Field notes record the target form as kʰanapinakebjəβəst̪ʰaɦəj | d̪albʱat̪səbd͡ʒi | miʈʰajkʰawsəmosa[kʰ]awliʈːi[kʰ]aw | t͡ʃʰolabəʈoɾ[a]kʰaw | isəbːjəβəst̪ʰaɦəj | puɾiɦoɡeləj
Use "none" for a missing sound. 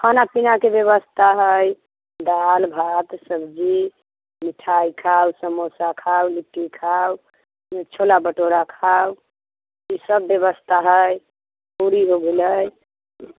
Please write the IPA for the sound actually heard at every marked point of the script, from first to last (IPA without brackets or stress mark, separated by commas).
kʰ, kʰ, a